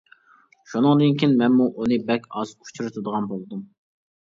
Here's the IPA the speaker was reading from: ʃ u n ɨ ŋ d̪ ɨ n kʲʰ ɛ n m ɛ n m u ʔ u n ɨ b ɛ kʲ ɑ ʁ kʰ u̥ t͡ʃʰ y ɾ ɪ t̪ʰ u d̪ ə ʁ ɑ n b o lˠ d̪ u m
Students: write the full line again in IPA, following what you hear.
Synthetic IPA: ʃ u n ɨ ŋ d̪ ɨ n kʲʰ i n m ɛ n m u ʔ u n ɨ b ɛ kʲ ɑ z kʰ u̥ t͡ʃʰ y ɾ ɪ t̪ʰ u d̪ ə ʁ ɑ n b o lˠ d̪ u m